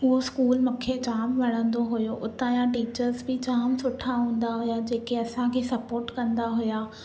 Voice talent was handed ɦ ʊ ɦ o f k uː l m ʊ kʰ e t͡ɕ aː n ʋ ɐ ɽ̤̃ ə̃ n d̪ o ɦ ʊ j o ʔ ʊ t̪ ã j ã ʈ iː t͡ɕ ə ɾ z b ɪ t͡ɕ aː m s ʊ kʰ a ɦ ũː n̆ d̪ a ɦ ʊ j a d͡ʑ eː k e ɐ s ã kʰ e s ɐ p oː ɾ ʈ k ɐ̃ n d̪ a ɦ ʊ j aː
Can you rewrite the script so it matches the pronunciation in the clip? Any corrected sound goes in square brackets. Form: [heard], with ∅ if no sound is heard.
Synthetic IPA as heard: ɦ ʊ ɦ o [s] k uː l m ʊ kʰ e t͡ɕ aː [m] ʋ ɐ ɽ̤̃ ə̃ n d̪ o ɦ ʊ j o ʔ ʊ t̪ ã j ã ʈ iː t͡ɕ ə ɾ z b ɪ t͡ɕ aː m s ʊ [ʈʰ] a ɦ ũː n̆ d̪ a ɦ ʊ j a d͡ʑ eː k e ɐ s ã kʰ e s ɐ p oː ɾ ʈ k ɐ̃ n d̪ a ɦ ʊ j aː